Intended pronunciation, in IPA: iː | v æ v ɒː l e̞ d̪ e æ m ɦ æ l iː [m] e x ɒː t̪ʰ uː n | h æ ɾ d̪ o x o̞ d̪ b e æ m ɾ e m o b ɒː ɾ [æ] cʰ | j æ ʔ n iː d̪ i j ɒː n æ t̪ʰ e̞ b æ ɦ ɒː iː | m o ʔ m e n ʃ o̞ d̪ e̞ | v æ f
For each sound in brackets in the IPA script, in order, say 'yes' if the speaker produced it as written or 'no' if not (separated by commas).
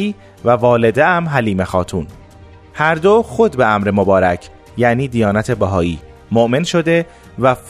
yes, yes